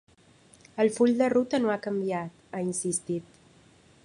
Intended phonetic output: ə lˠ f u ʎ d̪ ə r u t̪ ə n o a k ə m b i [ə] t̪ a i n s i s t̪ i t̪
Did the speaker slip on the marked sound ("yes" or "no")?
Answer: yes